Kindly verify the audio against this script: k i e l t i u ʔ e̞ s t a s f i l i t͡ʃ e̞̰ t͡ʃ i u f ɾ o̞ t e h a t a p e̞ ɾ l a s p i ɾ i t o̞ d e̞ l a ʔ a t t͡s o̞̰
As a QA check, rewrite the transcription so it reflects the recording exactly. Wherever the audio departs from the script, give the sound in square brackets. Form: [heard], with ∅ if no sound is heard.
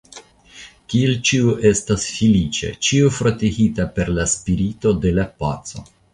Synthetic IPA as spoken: k i e l [t͡ʃ] i u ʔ e̞ s t a s f i l i t͡ʃ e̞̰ t͡ʃ i u f ɾ o̞ t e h [i] t a p e̞ ɾ l a s p i ɾ i t o̞ d e̞ l a [p] a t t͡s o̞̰